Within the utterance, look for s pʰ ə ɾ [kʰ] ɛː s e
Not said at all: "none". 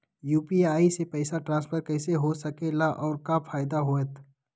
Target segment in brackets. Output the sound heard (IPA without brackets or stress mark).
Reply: k